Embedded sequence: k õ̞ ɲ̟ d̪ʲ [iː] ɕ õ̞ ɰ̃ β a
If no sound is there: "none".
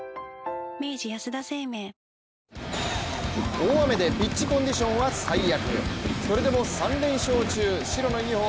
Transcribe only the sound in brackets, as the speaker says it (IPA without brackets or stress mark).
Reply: i